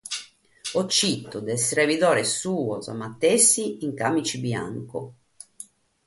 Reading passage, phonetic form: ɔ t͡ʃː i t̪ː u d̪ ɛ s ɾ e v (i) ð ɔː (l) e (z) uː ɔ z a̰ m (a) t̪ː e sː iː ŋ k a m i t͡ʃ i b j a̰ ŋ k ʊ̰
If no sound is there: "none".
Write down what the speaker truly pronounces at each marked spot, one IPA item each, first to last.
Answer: i, ɾ, s, a

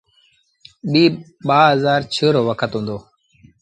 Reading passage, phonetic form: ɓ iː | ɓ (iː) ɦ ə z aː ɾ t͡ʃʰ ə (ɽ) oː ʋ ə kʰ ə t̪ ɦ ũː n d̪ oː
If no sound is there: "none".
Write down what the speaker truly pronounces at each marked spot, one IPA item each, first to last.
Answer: aː, ɾ

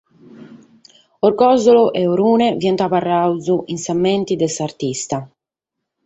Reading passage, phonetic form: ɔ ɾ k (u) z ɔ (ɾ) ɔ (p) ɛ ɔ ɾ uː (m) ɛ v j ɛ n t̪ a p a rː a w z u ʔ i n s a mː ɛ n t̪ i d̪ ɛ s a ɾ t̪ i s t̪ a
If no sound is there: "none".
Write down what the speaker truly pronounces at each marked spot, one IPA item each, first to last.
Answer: ɔ, l, ʔ, n

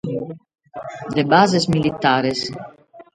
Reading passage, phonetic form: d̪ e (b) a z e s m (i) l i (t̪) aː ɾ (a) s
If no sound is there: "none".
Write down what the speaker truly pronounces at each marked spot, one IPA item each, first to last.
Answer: b, i, t̪, e

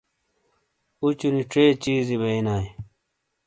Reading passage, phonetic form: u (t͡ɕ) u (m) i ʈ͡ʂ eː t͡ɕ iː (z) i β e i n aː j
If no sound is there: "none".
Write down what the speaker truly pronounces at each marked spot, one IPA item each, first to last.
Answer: t͡ɕ, n, z

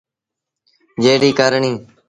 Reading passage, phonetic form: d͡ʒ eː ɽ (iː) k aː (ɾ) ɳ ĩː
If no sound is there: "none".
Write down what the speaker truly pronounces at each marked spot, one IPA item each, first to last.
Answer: iː, ɾ

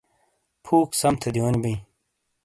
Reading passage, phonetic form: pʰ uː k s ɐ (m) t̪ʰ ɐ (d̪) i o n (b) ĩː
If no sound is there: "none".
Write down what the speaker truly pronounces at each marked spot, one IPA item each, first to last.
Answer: m, d̪, b

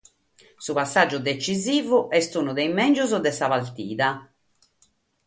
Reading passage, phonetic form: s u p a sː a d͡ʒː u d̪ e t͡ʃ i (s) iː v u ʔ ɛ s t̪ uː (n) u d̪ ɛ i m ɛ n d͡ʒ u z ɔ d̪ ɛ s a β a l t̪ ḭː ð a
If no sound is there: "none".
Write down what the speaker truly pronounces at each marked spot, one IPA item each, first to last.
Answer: z, n

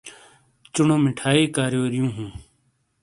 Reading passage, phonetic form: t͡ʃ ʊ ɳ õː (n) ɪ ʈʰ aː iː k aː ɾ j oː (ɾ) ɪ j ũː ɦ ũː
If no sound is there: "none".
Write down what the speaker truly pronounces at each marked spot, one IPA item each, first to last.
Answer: m, ɾ

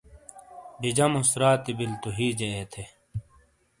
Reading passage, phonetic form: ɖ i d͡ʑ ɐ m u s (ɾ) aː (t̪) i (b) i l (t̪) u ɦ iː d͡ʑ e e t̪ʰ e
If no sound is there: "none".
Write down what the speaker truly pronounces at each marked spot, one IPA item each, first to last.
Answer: ɾ, t̪, b, t̪

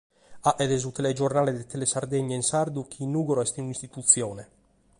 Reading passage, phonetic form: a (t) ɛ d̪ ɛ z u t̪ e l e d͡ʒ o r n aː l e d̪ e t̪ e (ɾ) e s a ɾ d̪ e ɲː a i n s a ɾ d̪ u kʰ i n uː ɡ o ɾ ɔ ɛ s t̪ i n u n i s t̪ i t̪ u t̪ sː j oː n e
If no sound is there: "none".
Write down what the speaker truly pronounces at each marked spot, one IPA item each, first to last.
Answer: ʔ, l

